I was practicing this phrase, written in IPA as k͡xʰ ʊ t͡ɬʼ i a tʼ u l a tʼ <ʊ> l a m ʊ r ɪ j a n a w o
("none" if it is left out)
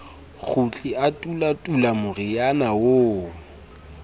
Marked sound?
u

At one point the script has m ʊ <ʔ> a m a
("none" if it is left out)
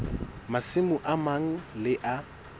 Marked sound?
ʔ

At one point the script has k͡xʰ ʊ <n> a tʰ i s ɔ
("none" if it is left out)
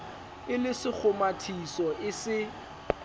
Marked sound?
m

